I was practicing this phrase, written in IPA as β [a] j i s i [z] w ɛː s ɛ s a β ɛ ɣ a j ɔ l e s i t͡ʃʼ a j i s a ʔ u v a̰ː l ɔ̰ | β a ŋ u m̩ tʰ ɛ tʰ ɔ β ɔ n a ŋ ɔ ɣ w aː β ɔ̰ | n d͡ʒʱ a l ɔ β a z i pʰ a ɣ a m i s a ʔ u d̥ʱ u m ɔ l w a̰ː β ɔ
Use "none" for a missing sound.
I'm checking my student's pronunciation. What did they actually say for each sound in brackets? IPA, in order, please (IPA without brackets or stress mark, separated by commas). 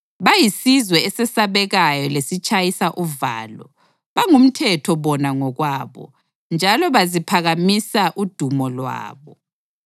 a, z